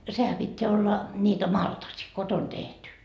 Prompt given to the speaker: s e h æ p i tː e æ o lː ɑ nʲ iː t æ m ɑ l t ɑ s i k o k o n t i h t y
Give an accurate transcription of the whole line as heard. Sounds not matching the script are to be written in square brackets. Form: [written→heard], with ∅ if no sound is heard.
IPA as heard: s e h æ p i tː e æ o lː ɑ nʲ iː t æ m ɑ l t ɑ s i k o [k→t] o n t [i→e] h t y